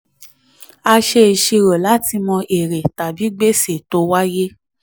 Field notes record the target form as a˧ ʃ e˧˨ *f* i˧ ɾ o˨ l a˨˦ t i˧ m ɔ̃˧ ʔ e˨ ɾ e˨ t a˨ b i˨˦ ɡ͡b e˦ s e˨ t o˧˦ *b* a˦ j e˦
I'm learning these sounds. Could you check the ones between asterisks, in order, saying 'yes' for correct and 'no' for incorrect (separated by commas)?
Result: no, no